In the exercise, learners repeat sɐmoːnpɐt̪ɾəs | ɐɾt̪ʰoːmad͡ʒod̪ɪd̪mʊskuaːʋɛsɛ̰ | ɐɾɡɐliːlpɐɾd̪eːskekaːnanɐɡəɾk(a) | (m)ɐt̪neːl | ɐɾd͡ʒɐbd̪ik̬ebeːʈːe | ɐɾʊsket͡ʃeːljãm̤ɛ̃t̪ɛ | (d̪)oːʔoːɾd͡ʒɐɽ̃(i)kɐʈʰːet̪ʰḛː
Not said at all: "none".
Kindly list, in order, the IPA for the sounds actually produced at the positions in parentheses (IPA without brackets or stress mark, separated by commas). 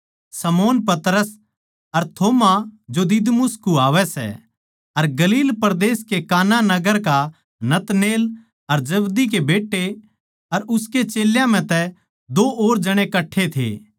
a, n, d̪, e